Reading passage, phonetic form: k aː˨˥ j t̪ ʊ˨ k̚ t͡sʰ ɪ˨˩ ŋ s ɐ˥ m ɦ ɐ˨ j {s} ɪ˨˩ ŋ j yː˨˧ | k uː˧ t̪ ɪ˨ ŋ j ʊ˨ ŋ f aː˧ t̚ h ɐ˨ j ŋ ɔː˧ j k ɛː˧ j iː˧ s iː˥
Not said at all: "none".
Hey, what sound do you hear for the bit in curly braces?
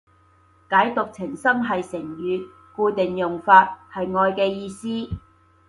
s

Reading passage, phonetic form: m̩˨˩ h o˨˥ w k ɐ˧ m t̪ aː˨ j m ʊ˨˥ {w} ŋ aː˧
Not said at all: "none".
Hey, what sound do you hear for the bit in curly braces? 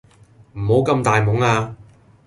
none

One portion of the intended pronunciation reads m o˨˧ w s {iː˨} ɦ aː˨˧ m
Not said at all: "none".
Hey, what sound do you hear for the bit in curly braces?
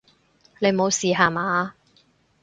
iː˨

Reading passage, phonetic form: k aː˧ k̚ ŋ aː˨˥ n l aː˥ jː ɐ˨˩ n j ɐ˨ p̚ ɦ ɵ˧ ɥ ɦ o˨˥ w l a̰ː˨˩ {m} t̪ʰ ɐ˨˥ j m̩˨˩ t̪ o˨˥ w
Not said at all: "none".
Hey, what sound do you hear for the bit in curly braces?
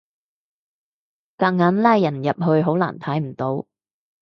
n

